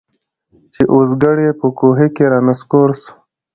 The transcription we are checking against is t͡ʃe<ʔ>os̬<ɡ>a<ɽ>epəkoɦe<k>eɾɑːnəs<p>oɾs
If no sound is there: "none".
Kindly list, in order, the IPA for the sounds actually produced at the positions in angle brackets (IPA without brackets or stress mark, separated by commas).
ʔ, ɡ, ɽ, k, k